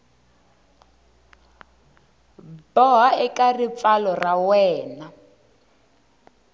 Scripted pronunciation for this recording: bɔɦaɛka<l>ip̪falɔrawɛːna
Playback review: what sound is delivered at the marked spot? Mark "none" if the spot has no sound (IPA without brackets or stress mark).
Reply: r